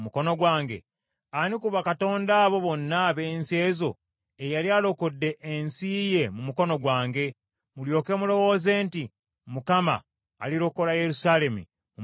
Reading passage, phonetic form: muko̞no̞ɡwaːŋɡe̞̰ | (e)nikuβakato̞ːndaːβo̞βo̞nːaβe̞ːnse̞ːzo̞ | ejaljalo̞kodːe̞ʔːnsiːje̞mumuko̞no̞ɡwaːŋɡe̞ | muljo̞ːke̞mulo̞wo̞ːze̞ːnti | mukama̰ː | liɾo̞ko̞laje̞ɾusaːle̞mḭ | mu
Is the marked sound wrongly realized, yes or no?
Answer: yes